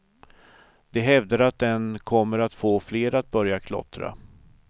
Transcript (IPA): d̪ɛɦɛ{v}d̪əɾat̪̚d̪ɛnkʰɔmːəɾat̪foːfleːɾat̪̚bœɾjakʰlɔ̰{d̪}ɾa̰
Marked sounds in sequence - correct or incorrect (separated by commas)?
correct, incorrect